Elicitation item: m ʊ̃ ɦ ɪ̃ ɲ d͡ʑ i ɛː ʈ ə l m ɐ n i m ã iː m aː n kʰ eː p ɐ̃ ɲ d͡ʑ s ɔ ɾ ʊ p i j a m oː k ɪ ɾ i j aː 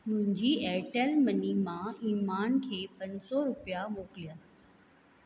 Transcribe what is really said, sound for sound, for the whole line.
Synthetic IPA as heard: m ʊ̃ ɦ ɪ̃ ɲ d͡ʑ i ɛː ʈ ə l m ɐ n i m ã iː m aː n kʰ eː p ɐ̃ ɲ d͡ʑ s ɔ ɾ ʊ p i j a m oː k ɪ l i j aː

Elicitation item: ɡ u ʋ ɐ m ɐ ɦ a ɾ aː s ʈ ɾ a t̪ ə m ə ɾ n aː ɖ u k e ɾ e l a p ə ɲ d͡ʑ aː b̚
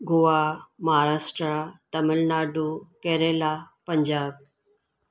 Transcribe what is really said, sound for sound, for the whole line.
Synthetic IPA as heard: ɡ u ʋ a m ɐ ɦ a ɾ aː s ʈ ɾ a t̪ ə m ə l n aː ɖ u k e ɾ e l a p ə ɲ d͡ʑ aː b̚

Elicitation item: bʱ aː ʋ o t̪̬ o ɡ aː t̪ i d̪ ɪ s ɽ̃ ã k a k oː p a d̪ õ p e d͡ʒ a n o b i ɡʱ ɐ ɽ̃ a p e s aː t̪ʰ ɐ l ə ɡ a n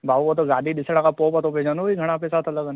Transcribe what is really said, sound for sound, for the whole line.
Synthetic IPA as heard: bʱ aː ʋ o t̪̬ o ɡ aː d̪ i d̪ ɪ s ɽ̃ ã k a p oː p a t̪ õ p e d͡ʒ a n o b i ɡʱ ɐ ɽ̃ a p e s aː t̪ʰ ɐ l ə ɡ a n

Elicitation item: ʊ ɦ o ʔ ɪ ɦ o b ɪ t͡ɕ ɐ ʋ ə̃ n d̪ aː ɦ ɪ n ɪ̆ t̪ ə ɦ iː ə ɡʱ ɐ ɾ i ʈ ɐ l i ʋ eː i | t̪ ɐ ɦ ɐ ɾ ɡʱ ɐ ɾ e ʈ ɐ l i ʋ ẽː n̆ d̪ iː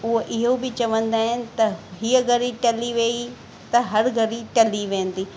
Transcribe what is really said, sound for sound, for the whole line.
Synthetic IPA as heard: ʊ ɦ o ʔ ɪ ɦ o b ɪ t͡ɕ ɐ ʋ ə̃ n d̪ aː ɦ ɪ n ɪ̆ t̪ ɐ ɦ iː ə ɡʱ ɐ ɾ i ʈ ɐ l i ʋ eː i | t̪ ɐ ɦ ɐ ɾ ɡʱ ɐ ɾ i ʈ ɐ l i ʋ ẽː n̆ d̪ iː

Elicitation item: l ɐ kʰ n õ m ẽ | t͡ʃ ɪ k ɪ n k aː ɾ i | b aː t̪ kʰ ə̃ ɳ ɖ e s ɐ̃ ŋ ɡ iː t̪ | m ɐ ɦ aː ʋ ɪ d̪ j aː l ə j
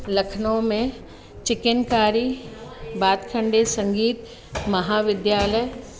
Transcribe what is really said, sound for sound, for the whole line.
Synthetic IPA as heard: l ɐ kʰ n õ m ẽ | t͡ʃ ɪ k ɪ n k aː ɾ i | b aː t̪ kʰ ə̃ ɳ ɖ e s ɐ̃ ŋ ɡ iː t̪ | m ɐ ɦ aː ʋ ɪ d̪ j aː l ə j

